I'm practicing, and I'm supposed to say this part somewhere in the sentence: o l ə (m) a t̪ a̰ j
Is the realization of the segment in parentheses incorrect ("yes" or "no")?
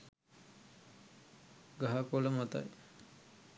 no